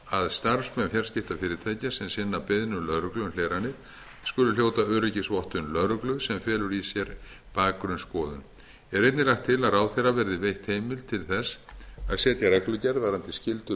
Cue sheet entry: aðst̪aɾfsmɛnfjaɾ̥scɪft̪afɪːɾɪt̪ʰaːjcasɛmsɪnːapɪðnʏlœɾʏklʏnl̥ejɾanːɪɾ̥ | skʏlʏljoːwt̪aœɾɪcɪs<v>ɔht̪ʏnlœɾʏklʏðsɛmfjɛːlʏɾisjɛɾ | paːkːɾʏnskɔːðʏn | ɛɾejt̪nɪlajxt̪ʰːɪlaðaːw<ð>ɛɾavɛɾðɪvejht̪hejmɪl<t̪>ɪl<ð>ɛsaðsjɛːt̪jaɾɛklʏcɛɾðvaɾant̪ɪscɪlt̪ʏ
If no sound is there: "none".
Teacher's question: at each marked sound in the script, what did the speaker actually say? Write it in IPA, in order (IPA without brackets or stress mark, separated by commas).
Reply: v, θ, t̪ʰ, θ